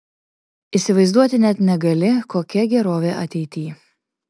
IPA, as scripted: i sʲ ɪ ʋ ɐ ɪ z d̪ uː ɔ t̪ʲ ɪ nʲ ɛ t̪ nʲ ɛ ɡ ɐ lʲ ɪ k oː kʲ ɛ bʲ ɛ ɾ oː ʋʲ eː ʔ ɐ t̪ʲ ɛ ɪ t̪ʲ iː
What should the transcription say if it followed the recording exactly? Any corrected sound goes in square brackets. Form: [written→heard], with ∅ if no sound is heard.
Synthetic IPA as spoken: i sʲ ɪ ʋ ɐ ɪ z d̪ [uː→u] ɔ t̪ʲ ɪ nʲ ɛ t̪ nʲ ɛ ɡ ɐ lʲ ɪ k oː kʲ ɛ [bʲ→ɡʲ] ɛ ɾ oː ʋʲ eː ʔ ɐ t̪ʲ ɛ ɪ t̪ʲ iː